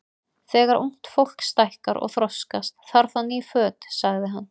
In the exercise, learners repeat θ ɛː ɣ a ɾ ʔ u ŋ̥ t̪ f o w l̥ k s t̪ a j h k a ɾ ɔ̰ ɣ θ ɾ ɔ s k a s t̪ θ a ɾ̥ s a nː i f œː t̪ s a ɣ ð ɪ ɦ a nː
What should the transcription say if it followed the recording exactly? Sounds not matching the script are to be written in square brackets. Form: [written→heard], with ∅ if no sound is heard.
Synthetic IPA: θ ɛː ɣ a ɾ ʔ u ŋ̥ t̪ f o w l̥ k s t̪ a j h k a ɾ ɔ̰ ɣ θ ɾ ɔ s k a s t̪ θ a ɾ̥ [s→θ] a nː i f œː t̪ s a ɣ ð ɪ ɦ a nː